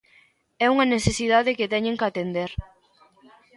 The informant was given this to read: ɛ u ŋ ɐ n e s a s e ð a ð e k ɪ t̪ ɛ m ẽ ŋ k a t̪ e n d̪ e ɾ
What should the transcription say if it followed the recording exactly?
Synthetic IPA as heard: ɛ u ŋ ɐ n e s e s i ð a ð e k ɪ t̪ ɛ ɲ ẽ ŋ k a t̪ e n d̪ e ɾ